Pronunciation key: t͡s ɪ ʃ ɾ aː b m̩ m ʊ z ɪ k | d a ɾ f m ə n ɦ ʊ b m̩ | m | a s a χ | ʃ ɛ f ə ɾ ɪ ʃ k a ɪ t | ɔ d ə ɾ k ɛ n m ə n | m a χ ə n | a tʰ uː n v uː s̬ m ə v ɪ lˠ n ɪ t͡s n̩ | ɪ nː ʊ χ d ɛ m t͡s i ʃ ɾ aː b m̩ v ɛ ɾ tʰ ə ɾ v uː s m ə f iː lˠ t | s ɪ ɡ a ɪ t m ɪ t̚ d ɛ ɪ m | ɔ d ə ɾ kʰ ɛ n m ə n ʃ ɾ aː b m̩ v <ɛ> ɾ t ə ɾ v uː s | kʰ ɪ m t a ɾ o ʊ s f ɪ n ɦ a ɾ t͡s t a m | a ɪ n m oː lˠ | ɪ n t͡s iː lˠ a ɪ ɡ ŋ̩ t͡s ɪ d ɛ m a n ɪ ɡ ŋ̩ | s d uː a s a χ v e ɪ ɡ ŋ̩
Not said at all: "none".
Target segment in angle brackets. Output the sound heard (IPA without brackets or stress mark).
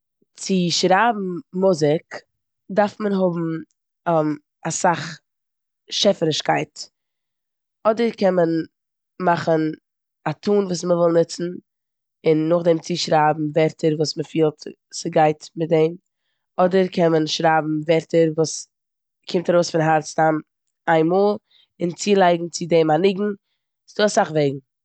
ɛ